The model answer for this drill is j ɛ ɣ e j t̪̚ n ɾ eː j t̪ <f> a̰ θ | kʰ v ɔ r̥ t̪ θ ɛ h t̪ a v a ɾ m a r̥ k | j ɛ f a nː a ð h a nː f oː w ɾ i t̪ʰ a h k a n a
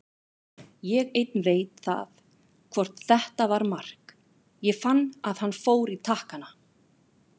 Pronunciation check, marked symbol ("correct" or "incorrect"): incorrect